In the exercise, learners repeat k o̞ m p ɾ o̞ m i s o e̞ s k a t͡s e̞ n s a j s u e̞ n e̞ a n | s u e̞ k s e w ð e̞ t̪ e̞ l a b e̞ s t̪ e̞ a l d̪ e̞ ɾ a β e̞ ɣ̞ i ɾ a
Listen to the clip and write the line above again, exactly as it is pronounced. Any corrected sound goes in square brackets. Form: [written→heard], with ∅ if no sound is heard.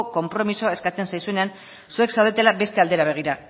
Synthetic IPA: k o̞ m p ɾ o̞ m i s o e̞ s k a t͡s e̞ n s a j s u e̞ n e̞ a n | s u e̞ k s [e→a] w ð e̞ t̪ e̞ l a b e̞ s t̪ e̞ a l d̪ e̞ ɾ a β e̞ ɣ̞ i ɾ a